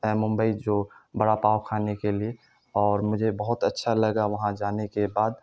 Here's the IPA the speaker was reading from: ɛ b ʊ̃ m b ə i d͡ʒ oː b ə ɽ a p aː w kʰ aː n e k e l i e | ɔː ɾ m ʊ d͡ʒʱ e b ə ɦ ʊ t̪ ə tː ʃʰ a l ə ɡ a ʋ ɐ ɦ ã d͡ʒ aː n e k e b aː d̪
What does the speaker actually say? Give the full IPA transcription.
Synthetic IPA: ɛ m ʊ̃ m b ə i d͡ʒ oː b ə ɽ a p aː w kʰ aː n e k e l i e | ɔː ɾ m ʊ d͡ʒʱ e b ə ɦ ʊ t̪ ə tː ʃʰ a l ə ɡ a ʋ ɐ ɦ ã d͡ʒ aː n e k e b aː d̪